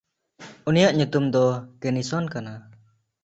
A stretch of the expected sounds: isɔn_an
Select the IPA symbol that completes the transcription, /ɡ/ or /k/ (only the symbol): k